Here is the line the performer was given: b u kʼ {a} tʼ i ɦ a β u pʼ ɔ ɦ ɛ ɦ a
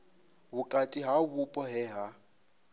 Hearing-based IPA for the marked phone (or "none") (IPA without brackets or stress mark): a